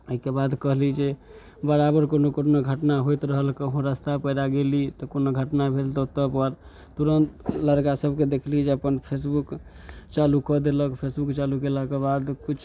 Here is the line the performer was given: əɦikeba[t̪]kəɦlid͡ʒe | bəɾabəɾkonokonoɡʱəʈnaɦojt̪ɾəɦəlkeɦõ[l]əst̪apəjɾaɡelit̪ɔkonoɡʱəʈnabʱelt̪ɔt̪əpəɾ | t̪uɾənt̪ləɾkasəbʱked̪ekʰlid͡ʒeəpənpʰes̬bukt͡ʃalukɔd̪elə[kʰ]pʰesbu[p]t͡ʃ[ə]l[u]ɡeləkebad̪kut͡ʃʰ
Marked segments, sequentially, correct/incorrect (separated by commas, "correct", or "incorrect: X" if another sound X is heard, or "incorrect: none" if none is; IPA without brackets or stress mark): incorrect: d̪, incorrect: ɾ, incorrect: k, incorrect: k, incorrect: a, correct